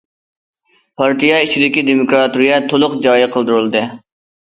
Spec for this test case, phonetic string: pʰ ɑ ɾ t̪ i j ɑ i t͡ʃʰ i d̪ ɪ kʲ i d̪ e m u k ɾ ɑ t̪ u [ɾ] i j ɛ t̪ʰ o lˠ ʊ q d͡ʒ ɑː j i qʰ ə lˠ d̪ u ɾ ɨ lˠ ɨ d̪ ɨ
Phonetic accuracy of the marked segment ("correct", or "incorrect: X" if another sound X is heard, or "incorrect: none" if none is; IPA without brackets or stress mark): correct